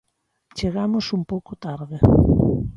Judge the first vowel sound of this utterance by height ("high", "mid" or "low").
mid